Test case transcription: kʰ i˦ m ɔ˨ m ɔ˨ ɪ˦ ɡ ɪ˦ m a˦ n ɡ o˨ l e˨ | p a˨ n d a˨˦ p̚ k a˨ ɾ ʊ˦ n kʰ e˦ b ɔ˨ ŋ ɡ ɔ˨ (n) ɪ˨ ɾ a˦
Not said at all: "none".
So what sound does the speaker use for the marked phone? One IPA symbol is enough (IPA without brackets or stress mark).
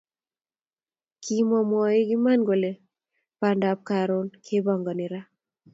n